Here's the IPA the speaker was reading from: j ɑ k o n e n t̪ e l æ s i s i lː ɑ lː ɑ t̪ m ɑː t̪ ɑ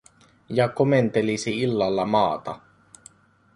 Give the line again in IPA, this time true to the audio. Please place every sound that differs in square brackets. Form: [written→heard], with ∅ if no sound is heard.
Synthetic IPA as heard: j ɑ k o [n→m] e n t̪ e l [æ→i] s i [s→∅] i lː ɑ lː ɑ [t̪→∅] m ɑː t̪ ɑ